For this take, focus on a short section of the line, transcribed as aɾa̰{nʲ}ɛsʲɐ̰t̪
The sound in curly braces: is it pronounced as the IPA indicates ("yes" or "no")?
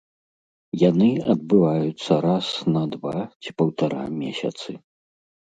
no